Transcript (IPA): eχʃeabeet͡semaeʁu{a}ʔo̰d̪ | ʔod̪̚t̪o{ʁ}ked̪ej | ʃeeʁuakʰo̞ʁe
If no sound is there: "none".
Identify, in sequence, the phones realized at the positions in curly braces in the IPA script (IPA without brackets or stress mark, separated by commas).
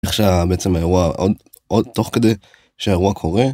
a, χ